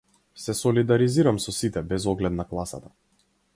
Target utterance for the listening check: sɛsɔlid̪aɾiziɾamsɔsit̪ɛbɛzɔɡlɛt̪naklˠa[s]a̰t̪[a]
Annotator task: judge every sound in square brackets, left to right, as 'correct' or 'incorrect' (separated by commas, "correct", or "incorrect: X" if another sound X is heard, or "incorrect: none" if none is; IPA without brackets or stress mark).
correct, correct